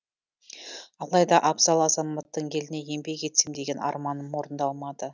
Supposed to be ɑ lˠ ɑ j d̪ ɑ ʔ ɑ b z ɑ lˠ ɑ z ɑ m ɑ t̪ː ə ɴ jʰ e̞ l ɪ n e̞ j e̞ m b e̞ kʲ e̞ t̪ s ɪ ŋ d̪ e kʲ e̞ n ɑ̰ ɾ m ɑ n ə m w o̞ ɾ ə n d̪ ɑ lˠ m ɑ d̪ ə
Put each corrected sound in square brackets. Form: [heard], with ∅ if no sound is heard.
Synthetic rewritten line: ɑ lˠ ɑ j d̪ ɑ ʔ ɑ b z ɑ lˠ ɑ z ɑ m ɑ t̪ː ə ɴ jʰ e̞ l ɪ n e̞ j e̞ m b e̞ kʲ e̞ t̪ s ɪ [m] d̪ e [ɡʲ] e̞ n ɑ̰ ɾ m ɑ n ə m w o̞ ɾ ə n d̪ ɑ lˠ m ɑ d̪ ə

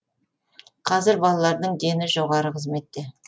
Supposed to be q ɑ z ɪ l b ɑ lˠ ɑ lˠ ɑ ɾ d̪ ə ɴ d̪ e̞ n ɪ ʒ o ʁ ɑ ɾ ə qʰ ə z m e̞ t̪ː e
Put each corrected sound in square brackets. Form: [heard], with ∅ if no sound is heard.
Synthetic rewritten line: [qʰ] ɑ z ɪ [ɾ] b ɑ lˠ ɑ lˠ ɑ ɾ d̪ ə ɴ d̪ e̞ n ɪ ʒ o ʁ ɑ ɾ ə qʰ ə z m e̞ t̪ː e

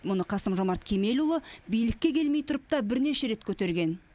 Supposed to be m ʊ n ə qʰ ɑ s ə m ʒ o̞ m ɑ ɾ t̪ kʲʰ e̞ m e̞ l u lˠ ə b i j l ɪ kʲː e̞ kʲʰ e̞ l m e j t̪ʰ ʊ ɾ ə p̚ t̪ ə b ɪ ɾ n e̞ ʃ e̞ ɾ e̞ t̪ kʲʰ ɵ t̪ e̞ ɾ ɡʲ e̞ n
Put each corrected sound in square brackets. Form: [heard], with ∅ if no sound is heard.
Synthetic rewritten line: m ʊ n ə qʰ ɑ s ə m ʒ o̞ m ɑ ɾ t̪ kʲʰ e̞ m e̞ l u lˠ ə b i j l ɪ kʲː e̞ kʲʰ e̞ l m e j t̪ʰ ʊ ɾ ə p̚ t̪ [ɑ] b ɪ ɾ n e̞ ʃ e̞ ɾ e̞ t̪ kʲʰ ɵ t̪ e̞ ɾ ɡʲ e̞ n

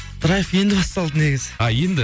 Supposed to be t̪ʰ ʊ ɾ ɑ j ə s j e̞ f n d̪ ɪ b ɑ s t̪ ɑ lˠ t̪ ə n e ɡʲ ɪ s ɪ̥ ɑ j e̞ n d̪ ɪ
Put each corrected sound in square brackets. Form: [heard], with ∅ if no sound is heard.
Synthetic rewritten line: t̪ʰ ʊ ɾ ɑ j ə [f] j e̞ [∅] n d̪ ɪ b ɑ s t̪ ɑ lˠ [d̪] ə n e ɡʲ ɪ [z] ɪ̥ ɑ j e̞ n d̪ ɪ

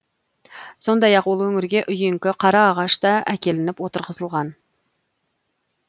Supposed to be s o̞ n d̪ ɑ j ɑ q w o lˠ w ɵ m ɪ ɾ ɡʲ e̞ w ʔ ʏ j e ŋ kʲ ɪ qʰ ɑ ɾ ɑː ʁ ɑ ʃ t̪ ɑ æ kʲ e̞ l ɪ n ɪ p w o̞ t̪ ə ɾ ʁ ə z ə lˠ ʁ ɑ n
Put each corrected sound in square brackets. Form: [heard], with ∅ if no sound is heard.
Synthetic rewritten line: s o̞ n d̪ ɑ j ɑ q w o lˠ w ɵ [ŋ] ɪ ɾ ɡʲ e̞ [∅] ʔ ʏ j e ŋ kʲ ɪ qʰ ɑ ɾ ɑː ʁ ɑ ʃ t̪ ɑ æ kʲ e̞ l ɪ n ɪ p w o̞ t̪ ə ɾ ʁ ə z ə lˠ ʁ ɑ n

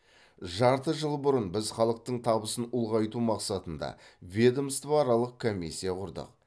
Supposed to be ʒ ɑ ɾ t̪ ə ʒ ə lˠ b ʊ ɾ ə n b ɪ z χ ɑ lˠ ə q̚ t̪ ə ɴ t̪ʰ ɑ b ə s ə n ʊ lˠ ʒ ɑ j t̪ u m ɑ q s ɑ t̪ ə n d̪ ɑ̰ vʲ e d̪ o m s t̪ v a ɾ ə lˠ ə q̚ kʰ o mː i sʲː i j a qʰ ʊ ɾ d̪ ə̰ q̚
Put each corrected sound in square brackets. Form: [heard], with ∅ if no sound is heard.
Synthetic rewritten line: ʒ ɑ ɾ t̪ ə ʒ ə lˠ b ʊ ɾ ə n b ɪ z χ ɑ lˠ ə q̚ t̪ ə ɴ t̪ʰ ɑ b ə s ə n ʊ lˠ [ʁ] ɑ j t̪ u m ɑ q s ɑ t̪ ə n d̪ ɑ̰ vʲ e d̪ o m s t̪ v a ɾ [ɑ] lˠ ə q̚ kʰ o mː i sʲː i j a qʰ ʊ ɾ d̪ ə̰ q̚

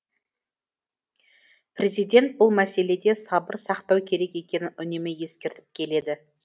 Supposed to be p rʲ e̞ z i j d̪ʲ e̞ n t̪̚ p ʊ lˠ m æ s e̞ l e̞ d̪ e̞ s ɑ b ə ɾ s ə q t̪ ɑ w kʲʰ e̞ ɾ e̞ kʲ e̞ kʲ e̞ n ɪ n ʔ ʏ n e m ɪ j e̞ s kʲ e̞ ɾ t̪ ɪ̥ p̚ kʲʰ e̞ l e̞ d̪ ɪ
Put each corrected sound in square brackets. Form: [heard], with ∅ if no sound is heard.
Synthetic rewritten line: p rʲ e̞ z i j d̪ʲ e̞ n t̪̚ [b] ʊ lˠ m æ s e̞ l e̞ d̪ e̞ s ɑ b ə ɾ s [ɑ] q t̪ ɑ w kʲʰ e̞ ɾ e̞ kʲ e̞ kʲ e̞ n ɪ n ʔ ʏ n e m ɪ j e̞ s kʲ e̞ ɾ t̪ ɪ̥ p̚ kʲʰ e̞ l e̞ d̪ ɪ

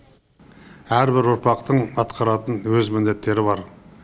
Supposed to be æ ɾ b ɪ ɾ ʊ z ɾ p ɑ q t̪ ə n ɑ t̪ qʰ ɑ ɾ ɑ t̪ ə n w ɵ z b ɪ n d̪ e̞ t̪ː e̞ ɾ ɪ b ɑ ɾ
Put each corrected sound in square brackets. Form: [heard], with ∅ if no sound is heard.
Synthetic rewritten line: æ ɾ b ɪ ɾ ʊ [∅] ɾ p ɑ q t̪ ə [ɴ] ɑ t̪ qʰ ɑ ɾ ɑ t̪ ə n w ɵ z [m] ɪ n d̪ e̞ t̪ː e̞ ɾ ɪ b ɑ ɾ

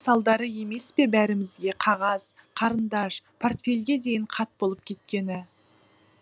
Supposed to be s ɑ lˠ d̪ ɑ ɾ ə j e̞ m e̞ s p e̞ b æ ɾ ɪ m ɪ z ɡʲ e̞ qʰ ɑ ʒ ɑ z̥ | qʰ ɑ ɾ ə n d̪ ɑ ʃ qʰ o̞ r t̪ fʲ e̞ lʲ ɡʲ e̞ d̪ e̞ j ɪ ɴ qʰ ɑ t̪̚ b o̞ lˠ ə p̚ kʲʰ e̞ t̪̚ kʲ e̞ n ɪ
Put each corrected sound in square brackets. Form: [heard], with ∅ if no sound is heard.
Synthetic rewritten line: s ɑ lˠ d̪ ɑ ɾ ə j e̞ m e̞ s p e̞ b æ ɾ ɪ m ɪ z ɡʲ e̞ qʰ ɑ [ʁ] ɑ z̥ | qʰ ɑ ɾ ə n d̪ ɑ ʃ [pʰ] o̞ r t̪ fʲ e̞ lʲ ɡʲ e̞ d̪ e̞ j ɪ ɴ qʰ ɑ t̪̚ b o̞ lˠ ə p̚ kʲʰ e̞ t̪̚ kʲ e̞ n ɪ

